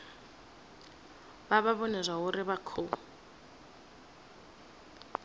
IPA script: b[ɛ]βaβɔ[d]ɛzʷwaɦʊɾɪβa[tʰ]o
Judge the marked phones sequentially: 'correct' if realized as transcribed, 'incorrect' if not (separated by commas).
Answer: incorrect, incorrect, incorrect